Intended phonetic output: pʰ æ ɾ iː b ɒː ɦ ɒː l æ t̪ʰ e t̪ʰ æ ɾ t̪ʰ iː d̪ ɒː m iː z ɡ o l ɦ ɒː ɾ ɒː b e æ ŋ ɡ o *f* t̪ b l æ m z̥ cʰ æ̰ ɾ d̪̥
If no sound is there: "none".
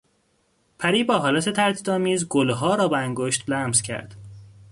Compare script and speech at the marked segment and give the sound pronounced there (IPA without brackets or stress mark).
ʃ